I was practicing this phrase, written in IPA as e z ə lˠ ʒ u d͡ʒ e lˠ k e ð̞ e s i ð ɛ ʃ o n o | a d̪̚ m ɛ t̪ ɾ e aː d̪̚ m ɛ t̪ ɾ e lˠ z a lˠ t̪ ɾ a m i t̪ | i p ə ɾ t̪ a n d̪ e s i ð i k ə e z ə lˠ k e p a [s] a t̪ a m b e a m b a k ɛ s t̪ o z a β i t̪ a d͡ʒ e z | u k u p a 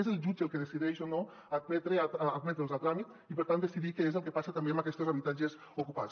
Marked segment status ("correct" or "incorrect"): correct